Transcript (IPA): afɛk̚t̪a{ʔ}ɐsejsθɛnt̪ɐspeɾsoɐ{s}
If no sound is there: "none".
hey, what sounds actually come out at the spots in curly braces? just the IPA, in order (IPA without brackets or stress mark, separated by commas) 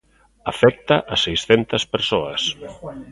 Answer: ʔ, s